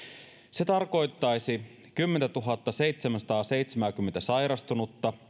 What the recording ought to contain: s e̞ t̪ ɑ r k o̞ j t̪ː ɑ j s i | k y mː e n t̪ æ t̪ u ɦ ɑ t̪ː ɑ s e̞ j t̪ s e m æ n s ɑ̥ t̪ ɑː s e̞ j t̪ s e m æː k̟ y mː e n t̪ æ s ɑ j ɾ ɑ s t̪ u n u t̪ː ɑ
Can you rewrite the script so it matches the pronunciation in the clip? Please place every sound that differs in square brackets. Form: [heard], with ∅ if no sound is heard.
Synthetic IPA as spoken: s e̞ t̪ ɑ r k o̞ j t̪ː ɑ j s i | k y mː e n t̪ æ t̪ u ɦ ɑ t̪ː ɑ s e̞ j t̪ s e m æ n s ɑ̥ t̪ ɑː s e̞ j t̪ s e m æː k̟ y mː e n t̪ æ s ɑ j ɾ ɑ s t̪ u n u t̪ː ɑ